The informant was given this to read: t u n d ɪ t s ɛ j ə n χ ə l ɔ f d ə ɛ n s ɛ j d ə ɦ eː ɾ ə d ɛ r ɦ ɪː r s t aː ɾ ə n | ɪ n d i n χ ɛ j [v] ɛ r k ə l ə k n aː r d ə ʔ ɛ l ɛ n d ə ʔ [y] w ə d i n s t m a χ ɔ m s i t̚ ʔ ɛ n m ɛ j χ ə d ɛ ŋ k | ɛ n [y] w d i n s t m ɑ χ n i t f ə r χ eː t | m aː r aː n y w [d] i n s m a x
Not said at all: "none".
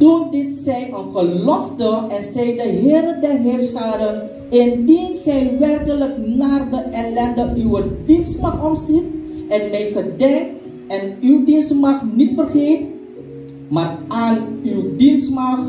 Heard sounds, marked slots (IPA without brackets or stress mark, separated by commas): ʋ, y, y, d